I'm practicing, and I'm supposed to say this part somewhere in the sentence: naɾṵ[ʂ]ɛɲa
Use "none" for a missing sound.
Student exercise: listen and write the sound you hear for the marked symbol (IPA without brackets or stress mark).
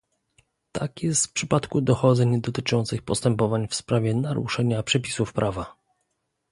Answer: ʂ